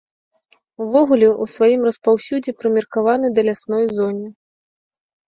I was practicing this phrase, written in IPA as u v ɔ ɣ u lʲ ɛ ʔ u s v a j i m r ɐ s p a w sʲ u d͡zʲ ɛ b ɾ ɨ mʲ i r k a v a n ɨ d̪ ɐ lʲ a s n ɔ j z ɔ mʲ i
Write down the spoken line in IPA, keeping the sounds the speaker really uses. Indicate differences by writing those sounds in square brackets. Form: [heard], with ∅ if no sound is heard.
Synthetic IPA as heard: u v ɔ ɣ u lʲ ɛ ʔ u s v a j i m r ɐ s p a w sʲ u d͡zʲ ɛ [p] ɾ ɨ mʲ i r k a v a n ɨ d̪ ɐ lʲ a s n ɔ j z ɔ [nʲ] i